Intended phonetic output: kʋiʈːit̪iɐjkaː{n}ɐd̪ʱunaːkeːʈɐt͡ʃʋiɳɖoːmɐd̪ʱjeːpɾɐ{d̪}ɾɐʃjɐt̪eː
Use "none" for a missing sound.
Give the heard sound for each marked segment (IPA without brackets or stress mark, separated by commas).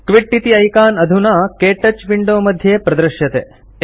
n, d̪